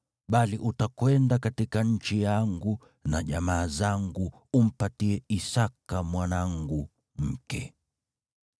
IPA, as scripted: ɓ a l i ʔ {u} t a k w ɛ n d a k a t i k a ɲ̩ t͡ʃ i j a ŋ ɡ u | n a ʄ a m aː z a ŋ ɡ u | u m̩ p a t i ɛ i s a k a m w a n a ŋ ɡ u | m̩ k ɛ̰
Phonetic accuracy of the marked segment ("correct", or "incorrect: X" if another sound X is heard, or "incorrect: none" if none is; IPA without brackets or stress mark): correct